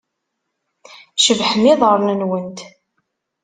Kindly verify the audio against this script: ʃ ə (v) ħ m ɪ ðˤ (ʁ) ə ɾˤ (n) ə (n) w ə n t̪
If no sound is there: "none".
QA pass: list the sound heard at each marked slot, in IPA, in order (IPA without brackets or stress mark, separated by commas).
v, ʁ, n, n